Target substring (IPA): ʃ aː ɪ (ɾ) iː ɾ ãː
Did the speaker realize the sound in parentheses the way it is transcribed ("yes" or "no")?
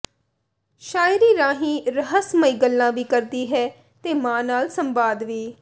yes